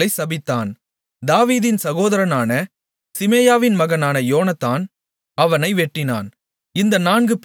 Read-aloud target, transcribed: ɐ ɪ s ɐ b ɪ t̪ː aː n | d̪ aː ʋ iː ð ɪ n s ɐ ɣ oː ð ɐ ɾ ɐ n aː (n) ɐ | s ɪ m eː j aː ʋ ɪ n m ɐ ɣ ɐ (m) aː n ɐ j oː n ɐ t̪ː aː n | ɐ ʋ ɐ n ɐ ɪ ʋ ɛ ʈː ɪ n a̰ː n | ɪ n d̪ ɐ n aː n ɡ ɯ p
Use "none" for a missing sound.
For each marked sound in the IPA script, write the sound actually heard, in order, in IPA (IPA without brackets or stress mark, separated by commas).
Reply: n, n